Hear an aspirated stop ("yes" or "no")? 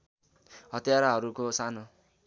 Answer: no